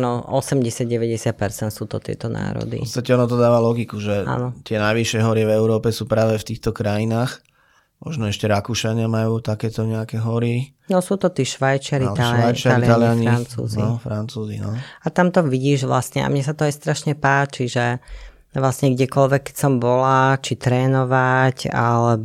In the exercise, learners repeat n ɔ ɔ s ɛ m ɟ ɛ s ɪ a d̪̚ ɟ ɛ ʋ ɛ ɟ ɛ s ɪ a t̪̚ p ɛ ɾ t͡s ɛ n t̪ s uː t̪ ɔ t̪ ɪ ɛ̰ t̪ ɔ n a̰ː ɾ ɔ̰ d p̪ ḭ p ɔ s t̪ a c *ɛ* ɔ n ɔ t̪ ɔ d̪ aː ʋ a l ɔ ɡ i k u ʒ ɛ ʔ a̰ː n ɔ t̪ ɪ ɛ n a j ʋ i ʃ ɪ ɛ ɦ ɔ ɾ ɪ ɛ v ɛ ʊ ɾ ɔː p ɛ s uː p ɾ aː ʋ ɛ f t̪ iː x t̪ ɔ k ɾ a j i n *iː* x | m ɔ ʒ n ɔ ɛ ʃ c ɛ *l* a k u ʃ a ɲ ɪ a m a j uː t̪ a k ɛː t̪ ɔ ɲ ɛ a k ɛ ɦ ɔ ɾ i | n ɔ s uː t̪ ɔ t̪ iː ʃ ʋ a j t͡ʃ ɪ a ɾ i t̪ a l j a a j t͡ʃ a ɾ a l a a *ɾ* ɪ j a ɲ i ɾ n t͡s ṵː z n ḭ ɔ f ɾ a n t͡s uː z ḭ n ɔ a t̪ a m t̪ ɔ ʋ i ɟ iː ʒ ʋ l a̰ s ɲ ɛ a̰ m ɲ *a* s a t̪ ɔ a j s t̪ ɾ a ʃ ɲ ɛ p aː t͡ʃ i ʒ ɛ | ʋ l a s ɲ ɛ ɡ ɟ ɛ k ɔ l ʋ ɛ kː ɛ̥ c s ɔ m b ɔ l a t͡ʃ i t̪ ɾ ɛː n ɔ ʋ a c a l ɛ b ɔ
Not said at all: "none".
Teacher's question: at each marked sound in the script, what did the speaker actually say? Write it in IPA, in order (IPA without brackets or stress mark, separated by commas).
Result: ɛ, aː, ɾ, l, ɛ